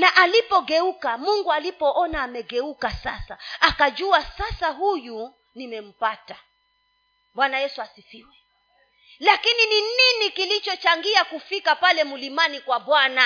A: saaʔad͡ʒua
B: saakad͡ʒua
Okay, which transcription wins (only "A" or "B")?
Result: B